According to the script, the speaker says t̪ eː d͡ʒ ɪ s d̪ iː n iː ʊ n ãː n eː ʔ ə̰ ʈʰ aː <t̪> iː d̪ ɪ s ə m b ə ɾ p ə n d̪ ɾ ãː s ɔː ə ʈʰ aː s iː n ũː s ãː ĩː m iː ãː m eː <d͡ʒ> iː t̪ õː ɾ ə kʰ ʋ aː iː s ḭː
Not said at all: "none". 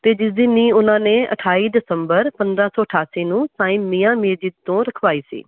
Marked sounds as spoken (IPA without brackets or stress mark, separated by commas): none, d͡ʒ